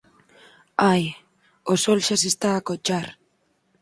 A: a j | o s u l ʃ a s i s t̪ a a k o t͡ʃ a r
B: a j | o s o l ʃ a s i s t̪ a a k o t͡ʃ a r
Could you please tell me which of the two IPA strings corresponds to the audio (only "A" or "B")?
B